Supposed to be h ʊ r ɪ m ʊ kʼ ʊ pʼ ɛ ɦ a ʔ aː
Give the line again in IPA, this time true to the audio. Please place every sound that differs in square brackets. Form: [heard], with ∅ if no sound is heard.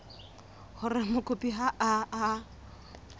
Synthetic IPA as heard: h ʊ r ɪ m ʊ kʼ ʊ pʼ [i] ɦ a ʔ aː